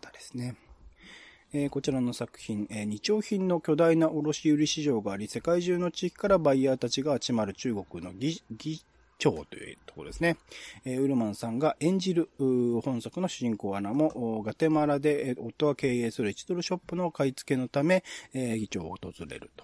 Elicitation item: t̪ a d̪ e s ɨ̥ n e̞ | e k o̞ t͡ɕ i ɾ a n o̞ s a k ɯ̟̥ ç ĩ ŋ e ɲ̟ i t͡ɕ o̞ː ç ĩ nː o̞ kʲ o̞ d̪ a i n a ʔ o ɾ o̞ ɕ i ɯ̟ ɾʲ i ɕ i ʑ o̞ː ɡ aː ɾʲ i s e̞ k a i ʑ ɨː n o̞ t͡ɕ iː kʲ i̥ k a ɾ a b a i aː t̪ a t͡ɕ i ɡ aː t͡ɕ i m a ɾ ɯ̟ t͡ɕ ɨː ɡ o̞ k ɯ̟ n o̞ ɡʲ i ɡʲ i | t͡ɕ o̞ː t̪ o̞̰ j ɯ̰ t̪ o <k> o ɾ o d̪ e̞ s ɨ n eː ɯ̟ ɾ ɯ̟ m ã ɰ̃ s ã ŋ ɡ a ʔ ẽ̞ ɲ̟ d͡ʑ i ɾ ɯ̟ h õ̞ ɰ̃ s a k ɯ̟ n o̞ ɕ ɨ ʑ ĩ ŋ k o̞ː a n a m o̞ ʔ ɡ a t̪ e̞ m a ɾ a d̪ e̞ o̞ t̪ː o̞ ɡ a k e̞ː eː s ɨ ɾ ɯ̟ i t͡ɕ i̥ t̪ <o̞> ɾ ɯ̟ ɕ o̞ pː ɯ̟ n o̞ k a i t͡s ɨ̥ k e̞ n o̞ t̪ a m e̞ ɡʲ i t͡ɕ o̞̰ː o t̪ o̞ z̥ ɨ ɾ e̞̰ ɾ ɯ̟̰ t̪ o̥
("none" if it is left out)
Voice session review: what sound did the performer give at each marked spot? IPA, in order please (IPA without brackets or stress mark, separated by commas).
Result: k, o̞